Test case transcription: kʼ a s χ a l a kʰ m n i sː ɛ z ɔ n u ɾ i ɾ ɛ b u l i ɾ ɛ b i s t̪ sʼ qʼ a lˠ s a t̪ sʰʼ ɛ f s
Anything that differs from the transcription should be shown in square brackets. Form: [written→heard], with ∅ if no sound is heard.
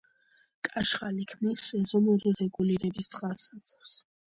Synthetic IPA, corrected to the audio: kʼ a [s→ʃ] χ a l [a→i] kʰ m n i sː ɛ z ɔ n u ɾ i ɾ ɛ [b→ɡ] u l i ɾ ɛ b i s t̪ sʼ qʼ a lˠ s a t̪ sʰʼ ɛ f s